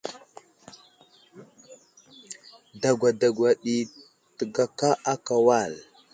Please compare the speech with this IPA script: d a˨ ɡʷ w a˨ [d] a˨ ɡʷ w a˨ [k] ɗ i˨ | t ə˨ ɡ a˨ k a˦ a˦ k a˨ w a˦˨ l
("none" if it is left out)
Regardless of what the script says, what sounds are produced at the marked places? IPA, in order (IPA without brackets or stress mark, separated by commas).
d, none